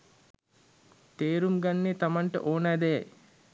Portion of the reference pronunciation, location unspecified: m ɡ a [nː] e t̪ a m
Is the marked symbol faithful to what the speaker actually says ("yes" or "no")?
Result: yes